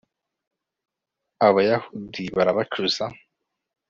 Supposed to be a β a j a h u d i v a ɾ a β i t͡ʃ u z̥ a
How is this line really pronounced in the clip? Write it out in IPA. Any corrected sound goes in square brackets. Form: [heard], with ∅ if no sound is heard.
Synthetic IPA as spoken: a β a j a h u d i [β] a ɾ a β [a] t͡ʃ u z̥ a